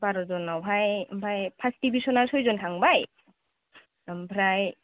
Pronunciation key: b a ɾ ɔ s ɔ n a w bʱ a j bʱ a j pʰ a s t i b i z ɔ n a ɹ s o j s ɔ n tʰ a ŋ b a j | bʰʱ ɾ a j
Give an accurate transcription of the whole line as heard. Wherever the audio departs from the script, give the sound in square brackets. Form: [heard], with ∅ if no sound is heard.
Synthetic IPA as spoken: b a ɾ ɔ [z] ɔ n a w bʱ a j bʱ a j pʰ a s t i b i [s] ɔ n a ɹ s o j [z] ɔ n tʰ a ŋ b a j | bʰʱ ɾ a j